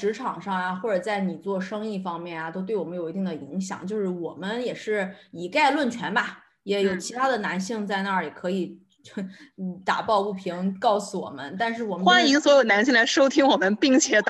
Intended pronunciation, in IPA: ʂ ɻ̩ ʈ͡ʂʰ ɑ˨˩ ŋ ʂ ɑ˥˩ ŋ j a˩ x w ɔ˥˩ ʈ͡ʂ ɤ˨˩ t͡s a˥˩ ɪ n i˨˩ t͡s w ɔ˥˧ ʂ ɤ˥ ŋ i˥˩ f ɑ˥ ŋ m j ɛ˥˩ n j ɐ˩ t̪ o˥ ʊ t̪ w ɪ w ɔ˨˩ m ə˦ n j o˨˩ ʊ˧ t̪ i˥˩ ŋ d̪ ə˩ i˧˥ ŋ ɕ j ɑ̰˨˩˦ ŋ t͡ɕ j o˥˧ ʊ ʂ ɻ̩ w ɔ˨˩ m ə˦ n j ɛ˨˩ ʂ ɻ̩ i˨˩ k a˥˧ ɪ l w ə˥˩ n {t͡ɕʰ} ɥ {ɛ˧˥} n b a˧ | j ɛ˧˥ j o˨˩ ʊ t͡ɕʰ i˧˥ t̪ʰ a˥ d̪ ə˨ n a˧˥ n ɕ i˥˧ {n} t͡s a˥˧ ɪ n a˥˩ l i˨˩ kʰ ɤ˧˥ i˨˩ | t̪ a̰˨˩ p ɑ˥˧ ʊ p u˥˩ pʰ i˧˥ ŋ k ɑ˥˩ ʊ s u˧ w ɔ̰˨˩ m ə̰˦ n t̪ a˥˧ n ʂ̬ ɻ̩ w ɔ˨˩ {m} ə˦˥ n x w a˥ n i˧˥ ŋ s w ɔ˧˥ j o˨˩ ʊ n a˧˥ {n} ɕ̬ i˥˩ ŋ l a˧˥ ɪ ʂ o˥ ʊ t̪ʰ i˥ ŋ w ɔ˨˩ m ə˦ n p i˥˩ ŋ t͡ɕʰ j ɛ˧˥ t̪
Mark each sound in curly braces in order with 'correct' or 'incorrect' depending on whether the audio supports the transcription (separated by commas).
correct, correct, incorrect, correct, correct